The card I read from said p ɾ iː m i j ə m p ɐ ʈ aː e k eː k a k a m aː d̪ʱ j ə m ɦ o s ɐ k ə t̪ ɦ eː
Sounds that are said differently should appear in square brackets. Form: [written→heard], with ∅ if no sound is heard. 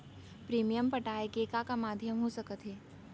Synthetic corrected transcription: p ɾ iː m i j ə m p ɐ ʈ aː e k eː k a k a m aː d̪ʱ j ə m ɦ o s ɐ k ə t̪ ɦ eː